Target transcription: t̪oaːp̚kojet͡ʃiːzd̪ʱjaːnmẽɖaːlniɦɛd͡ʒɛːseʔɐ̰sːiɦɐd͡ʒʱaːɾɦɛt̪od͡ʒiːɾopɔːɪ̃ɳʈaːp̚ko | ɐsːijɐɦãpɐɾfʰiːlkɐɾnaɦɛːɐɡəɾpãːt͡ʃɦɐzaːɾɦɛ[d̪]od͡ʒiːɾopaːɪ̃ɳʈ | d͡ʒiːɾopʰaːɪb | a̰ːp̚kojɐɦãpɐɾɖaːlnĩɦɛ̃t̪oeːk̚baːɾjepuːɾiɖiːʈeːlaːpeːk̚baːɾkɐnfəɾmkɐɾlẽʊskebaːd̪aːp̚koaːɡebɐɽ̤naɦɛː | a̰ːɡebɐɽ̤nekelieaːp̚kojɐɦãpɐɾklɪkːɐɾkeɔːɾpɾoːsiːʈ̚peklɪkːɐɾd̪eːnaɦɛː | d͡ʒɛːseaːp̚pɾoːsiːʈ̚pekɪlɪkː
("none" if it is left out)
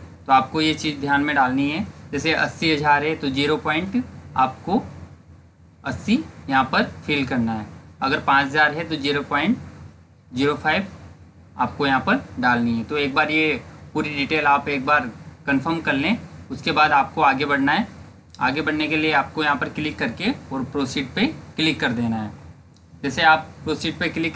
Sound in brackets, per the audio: t̪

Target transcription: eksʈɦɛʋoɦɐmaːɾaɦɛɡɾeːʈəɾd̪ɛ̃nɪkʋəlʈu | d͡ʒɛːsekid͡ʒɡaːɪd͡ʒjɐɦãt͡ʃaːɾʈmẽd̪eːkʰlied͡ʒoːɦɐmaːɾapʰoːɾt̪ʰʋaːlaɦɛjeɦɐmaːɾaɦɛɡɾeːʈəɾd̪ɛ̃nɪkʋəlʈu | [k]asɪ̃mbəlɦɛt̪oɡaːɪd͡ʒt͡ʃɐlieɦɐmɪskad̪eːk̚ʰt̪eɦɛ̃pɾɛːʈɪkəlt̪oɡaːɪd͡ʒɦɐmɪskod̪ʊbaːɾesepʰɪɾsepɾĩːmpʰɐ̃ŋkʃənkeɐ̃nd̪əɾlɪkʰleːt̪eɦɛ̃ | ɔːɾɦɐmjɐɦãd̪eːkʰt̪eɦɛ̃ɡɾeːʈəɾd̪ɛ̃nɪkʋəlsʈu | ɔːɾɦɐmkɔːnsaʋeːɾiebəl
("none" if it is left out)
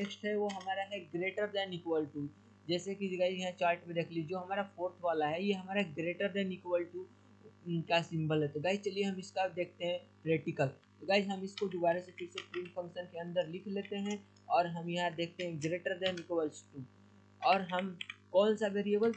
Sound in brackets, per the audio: k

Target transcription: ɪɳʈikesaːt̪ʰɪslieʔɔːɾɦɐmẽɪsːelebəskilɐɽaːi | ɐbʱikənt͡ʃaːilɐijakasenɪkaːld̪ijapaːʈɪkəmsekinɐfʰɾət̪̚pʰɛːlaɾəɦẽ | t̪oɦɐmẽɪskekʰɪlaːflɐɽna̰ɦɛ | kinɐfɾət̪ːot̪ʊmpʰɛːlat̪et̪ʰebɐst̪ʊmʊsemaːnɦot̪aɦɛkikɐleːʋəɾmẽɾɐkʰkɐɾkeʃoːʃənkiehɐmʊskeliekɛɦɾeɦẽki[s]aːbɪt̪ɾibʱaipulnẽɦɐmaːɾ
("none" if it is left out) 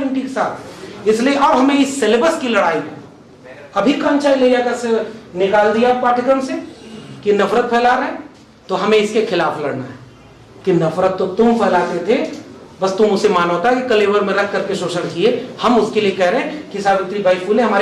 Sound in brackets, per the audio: s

